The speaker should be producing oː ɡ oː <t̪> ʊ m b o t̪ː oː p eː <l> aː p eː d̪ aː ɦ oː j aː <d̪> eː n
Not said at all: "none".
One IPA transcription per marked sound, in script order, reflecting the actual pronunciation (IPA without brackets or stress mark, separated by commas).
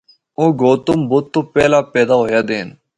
t̪, l, d̪